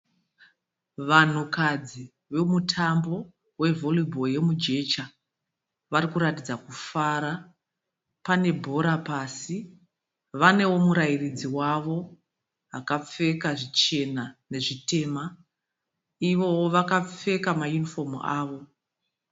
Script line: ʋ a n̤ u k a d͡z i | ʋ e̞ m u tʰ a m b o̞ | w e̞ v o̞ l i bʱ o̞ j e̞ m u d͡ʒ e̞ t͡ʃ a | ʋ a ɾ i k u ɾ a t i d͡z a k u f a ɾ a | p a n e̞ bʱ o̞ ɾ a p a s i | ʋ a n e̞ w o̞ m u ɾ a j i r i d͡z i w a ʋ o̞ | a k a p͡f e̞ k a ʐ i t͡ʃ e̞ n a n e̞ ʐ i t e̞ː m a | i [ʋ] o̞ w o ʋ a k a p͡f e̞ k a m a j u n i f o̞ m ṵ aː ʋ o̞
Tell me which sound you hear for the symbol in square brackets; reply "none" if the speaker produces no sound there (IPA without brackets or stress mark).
ʋ